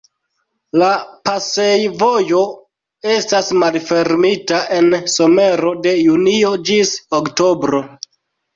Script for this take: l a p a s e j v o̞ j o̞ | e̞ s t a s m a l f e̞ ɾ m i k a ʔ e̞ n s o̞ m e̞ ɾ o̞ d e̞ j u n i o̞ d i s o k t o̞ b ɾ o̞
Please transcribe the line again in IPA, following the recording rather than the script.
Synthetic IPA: l a p a s e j v o̞ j o̞ | e̞ s t a s m a l f e̞ ɾ m i t a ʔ e̞ n s o̞ m e̞ ɾ o̞ d e̞ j u n i o̞ d͡ʒ i s o k t o̞ b ɾ o̞